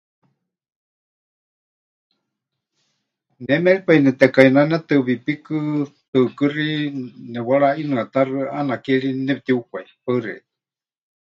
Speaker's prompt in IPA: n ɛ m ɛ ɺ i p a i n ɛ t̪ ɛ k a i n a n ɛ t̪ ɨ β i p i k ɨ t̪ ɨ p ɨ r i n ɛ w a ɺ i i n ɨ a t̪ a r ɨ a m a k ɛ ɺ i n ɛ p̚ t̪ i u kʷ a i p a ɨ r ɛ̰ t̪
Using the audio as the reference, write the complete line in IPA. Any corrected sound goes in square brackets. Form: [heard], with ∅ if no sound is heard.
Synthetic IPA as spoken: n ɛ m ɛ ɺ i p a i n ɛ t̪ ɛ k a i n a n ɛ t̪ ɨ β i p i k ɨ t̪ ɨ [k] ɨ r i n ɛ w a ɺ [a] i n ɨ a t̪ a r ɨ a [n] a k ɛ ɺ i n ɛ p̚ t̪ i u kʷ a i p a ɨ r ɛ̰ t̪

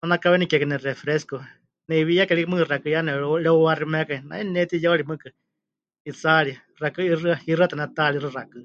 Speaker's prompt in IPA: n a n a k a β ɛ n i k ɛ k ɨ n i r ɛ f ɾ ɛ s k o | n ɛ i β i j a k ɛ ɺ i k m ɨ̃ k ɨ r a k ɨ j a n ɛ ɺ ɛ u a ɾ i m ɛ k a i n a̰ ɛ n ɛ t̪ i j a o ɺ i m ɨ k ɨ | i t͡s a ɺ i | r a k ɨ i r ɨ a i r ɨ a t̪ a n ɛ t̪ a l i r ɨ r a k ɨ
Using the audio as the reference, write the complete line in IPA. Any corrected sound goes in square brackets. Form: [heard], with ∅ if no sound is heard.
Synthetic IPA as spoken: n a n a k a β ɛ n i k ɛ k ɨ n [ɛ] r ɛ f ɾ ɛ s k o | n ɛ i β i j a k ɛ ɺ i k m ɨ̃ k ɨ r a k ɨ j a n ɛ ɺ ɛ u a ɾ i m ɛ k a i n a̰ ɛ n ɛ t̪ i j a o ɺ i m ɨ k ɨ | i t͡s a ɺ i | r a k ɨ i r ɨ a i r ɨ a t̪ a n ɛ t̪ a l i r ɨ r a k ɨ

